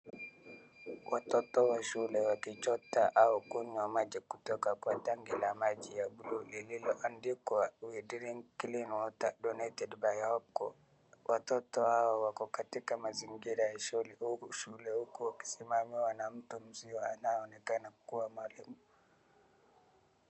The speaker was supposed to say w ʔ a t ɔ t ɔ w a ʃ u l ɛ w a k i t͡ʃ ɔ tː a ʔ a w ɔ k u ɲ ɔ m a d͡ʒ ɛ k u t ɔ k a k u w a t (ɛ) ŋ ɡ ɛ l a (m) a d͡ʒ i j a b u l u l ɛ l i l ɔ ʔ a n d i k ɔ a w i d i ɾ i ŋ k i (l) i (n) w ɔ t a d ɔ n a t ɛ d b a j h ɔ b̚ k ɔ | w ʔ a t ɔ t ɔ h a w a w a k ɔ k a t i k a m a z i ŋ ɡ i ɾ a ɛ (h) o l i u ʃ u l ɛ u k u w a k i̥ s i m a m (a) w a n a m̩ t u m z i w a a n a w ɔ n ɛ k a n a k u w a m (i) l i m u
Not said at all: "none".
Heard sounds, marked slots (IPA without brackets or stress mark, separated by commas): a, m, l, n, ʃ, i, a